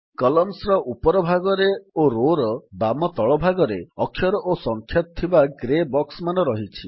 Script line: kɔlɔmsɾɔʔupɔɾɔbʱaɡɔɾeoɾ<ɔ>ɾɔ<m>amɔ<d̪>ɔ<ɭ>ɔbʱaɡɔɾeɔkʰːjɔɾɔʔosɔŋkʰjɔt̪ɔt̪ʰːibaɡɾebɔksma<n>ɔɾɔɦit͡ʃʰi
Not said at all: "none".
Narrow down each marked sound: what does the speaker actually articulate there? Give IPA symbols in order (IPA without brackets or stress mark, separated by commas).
o, b, t̪, ɭ, n